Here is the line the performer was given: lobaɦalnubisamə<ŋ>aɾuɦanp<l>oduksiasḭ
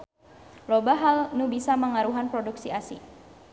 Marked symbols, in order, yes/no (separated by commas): yes, no